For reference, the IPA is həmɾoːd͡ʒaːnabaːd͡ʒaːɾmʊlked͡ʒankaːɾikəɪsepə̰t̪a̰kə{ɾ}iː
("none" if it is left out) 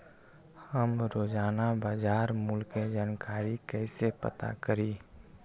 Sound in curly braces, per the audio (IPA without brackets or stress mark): ɾ